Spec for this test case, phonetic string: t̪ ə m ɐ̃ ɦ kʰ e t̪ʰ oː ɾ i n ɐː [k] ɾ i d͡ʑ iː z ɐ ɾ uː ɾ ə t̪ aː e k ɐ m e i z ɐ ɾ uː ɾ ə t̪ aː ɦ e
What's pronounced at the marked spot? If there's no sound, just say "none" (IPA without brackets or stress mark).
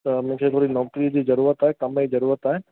k